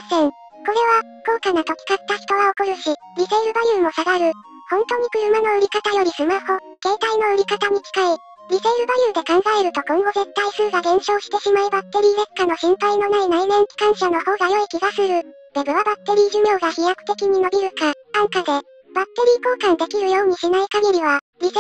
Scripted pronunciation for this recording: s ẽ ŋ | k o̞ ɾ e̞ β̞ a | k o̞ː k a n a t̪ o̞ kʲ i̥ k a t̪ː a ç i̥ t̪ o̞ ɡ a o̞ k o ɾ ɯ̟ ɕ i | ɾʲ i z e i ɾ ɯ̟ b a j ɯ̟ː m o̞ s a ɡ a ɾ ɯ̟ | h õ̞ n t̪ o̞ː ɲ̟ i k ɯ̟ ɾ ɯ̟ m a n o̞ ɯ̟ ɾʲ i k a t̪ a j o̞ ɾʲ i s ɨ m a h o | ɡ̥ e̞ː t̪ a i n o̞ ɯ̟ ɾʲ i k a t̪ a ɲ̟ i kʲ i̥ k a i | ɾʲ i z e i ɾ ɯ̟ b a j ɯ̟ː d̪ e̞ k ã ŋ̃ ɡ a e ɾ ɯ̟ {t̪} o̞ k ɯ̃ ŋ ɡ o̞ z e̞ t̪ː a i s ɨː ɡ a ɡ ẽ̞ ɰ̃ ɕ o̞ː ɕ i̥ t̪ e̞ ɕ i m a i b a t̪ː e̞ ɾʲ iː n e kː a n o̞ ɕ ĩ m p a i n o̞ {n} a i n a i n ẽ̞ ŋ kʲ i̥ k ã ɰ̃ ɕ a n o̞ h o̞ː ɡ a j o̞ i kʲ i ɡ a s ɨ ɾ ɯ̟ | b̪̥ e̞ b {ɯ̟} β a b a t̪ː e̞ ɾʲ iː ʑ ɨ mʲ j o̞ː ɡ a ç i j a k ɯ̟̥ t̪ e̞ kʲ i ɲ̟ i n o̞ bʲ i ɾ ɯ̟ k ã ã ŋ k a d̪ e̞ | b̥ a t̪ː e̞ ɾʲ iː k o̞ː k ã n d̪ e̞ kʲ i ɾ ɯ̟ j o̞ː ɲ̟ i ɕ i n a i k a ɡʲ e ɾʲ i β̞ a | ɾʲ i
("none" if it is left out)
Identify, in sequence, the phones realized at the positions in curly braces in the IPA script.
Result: t̪, n, ɯ̟

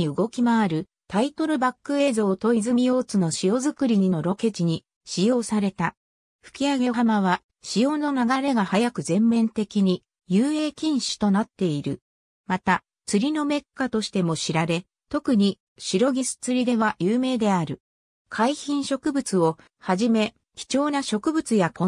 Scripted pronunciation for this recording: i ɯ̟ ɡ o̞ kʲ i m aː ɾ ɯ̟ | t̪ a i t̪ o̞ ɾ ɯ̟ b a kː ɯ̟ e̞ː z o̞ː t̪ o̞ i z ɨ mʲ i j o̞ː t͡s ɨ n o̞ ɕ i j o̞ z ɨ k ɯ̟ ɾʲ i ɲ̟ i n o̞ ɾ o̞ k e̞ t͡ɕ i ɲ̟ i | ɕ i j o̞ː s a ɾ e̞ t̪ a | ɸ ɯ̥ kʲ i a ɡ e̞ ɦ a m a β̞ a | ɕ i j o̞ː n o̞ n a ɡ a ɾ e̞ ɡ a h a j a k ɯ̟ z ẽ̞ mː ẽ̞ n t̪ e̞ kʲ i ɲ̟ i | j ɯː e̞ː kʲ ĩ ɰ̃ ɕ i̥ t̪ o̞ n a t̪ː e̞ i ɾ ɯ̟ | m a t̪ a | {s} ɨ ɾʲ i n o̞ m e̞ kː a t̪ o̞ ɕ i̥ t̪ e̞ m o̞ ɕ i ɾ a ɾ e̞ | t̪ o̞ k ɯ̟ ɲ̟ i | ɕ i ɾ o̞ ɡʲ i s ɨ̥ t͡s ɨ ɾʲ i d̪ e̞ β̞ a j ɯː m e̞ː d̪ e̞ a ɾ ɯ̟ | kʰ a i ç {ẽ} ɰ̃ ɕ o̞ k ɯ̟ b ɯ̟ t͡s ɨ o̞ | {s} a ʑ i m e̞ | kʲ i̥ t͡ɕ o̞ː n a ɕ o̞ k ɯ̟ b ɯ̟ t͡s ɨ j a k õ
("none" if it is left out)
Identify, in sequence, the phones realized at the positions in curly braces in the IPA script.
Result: t͡s, ĩ, h

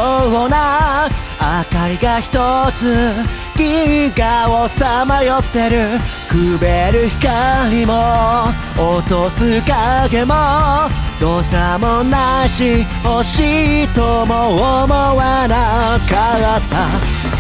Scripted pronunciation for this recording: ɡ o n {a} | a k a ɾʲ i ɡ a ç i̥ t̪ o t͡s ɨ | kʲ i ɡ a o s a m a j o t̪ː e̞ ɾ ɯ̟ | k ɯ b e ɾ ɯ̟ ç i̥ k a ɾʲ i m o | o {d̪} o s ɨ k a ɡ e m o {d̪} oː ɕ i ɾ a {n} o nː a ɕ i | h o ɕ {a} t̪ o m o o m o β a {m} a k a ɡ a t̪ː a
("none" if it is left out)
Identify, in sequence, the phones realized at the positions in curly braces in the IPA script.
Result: a, t̪, d̪, m, i, n

